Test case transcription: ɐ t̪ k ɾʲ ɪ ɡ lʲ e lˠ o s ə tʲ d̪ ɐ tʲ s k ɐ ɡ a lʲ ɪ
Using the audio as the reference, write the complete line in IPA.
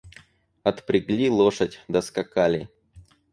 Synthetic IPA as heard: ɐ t̪ p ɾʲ ɪ ɡ lʲ i lˠ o ʂ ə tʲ d̪ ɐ s k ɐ k a lʲ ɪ